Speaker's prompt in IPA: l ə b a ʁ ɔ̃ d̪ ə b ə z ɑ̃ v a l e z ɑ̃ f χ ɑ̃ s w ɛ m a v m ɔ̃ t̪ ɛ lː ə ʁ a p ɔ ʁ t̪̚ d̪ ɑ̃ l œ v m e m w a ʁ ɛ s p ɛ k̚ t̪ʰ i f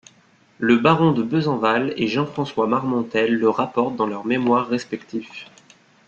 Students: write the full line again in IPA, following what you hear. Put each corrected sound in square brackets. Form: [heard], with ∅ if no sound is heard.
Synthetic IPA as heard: l ə b a ʁ ɔ̃ d̪ ə b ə z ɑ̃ v a l e [ʒ] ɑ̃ f χ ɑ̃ s w [a] m a [ʁ] m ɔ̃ t̪ ɛ lː ə ʁ a p ɔ ʁ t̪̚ d̪ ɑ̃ l œ [ʁ] m e m w a [ʁː] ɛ s p ɛ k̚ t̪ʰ i f